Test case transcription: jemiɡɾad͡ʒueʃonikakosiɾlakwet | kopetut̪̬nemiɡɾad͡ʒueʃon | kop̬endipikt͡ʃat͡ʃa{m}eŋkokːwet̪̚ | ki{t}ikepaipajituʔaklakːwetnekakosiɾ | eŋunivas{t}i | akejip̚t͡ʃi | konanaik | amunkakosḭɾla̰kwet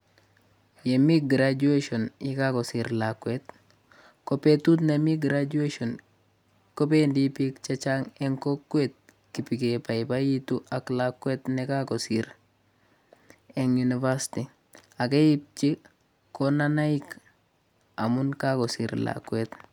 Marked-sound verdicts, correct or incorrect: incorrect, incorrect, correct

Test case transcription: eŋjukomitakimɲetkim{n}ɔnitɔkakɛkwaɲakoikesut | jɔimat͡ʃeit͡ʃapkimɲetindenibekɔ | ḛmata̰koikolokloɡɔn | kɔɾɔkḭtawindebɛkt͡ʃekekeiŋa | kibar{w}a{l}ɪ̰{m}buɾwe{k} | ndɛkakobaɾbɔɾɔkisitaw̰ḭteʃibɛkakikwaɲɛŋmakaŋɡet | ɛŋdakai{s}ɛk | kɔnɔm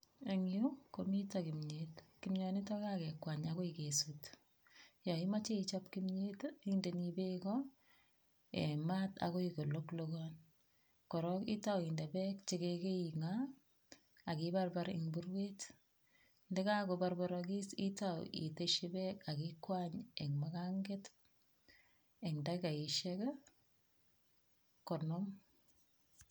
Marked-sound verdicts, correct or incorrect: incorrect, incorrect, incorrect, incorrect, incorrect, incorrect

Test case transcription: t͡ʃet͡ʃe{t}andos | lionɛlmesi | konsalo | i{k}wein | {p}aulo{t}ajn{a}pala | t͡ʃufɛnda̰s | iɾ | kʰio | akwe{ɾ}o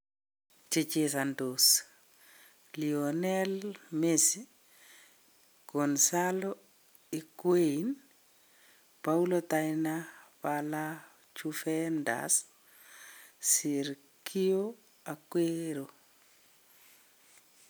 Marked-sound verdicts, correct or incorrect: incorrect, correct, correct, correct, correct, correct

